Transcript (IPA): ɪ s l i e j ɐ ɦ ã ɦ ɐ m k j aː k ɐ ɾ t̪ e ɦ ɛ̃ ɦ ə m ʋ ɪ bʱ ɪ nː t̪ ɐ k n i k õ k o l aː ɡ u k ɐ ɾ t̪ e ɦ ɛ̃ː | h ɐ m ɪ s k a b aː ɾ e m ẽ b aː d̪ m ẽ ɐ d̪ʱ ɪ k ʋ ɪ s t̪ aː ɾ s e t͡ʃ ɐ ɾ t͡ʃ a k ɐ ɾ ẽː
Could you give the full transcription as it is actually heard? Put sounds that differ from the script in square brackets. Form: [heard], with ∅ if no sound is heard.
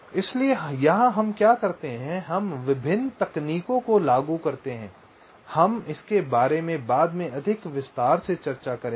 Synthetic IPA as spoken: ɪ s l i e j ɐ ɦ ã ɦ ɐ m k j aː k ɐ ɾ t̪ e ɦ ɛ̃ ɦ [ɐ] m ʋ ɪ bʱ ɪ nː t̪ ɐ k n [iː] k õ k o l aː ɡ u k ɐ ɾ t̪ e ɦ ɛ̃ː | h ɐ m ɪ s k [e] b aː ɾ e m ẽ b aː d̪ m ẽ ɐ d̪ʱ ɪ k ʋ ɪ s t̪ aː ɾ s e t͡ʃ ɐ ɾ t͡ʃ a k ɐ ɾ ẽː